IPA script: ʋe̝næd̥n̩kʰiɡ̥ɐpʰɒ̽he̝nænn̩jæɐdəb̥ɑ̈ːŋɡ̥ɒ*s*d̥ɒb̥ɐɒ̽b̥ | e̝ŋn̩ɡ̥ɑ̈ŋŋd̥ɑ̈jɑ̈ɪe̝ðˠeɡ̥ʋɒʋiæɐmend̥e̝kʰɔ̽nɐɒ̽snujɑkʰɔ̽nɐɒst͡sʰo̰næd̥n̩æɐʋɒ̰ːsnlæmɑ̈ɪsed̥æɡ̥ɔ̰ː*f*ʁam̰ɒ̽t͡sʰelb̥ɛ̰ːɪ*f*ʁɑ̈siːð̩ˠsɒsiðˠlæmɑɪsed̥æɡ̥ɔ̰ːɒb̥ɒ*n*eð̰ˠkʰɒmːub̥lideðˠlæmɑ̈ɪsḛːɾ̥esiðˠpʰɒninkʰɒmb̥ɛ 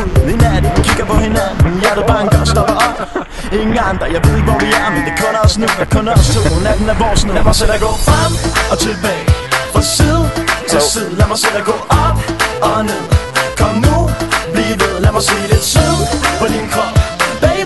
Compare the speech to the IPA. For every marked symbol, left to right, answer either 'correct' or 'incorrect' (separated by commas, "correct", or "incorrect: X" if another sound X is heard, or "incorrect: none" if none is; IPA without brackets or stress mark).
correct, correct, correct, correct